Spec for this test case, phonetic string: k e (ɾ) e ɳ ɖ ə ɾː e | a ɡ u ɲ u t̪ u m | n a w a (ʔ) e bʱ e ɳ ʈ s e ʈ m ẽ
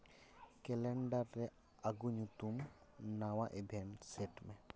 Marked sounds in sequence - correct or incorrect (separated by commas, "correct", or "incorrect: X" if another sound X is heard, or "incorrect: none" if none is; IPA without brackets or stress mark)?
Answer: incorrect: l, correct